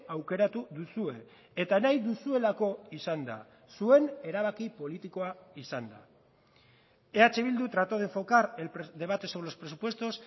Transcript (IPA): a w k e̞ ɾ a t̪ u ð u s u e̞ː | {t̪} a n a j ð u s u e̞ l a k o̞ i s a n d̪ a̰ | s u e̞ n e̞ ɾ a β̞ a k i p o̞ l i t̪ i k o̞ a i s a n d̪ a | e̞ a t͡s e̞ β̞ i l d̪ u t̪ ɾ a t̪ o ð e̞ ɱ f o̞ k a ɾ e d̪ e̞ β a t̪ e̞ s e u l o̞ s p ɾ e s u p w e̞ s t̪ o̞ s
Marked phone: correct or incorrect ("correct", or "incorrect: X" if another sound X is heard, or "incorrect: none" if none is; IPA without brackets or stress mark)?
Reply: correct